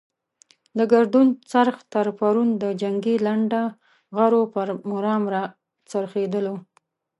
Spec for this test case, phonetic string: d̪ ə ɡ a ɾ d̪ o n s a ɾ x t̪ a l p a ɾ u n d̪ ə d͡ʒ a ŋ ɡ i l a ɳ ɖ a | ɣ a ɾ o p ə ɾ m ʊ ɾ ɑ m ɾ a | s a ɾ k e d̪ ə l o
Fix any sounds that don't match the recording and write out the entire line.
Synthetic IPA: d̪ ə ɡ a ɾ d̪ u n t͡s a ɾ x t̪ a ɾ p a ɾ u n d̪ ə d͡ʒ a ŋ ɡ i l a ɳ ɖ a | ɣ a ɾ o p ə ɾ m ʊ ɾ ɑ m ɾ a | t͡s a ɾ x e d̪ ə l o